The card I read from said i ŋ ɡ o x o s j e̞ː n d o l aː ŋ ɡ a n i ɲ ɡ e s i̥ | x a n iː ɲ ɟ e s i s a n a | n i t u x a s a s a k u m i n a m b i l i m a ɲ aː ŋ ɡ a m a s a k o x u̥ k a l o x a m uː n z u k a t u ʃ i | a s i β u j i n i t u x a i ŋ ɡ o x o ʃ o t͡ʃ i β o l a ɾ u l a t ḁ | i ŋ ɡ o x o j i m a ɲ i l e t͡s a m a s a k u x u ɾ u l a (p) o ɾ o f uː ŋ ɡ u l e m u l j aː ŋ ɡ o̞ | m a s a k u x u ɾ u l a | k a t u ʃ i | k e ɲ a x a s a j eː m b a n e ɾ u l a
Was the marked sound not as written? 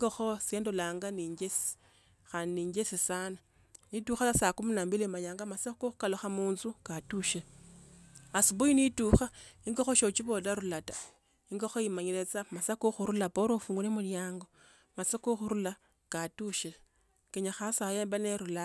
no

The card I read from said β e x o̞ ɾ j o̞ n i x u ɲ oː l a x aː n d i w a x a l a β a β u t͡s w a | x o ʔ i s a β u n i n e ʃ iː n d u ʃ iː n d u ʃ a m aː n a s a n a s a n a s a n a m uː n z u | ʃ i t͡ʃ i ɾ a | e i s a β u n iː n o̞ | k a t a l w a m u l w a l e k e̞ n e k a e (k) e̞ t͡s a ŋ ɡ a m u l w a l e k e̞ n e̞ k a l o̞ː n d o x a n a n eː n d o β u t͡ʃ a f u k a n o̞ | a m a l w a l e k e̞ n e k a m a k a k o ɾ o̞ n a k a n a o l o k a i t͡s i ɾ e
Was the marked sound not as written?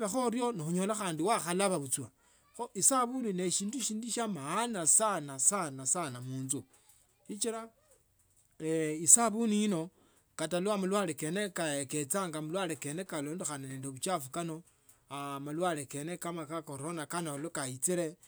no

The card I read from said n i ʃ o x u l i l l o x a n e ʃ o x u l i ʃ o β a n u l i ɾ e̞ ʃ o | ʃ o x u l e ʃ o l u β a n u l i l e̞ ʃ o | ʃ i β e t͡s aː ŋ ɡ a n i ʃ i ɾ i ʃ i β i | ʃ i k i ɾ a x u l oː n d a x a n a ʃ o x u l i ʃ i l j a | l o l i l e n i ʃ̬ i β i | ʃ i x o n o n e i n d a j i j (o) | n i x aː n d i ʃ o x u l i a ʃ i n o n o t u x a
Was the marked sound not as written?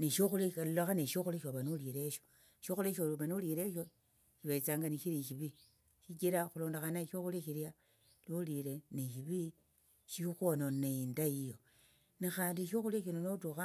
no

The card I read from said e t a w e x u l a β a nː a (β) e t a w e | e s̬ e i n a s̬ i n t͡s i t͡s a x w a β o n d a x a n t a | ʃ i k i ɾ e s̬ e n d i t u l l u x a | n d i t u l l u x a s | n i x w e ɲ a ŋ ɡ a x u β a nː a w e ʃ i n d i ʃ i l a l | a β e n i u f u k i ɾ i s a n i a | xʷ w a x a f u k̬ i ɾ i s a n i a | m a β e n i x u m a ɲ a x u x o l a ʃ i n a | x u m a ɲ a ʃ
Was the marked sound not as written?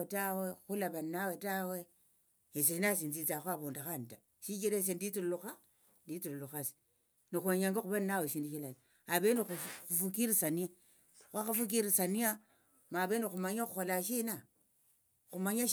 yes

